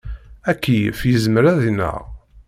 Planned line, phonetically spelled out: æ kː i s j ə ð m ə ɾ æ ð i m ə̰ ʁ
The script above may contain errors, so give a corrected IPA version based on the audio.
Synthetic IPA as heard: æ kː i f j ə z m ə ɾ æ ð i n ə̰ ʁ